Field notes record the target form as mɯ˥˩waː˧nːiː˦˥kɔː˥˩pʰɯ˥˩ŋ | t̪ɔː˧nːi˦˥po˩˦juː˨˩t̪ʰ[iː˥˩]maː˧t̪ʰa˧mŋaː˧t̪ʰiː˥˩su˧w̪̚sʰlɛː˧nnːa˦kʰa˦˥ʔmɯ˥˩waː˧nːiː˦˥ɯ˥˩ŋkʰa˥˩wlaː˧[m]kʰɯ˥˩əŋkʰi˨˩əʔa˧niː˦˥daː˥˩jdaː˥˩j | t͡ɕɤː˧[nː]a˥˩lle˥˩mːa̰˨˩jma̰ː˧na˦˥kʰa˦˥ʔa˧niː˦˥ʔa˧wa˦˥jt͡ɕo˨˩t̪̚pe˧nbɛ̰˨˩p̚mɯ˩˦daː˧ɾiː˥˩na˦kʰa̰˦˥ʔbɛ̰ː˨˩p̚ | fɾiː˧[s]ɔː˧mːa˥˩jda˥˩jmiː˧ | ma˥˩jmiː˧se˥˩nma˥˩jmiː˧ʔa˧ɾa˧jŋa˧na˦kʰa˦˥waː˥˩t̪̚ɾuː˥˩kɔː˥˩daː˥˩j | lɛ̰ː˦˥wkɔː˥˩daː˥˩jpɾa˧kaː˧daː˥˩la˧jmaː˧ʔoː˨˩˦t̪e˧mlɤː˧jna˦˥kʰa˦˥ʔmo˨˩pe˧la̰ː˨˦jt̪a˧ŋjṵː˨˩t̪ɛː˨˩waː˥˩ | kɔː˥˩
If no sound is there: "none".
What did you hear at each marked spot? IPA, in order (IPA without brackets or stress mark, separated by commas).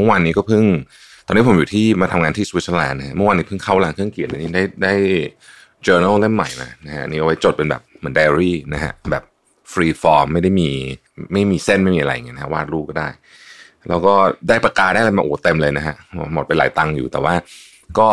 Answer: iː˥˩, ŋ, n, f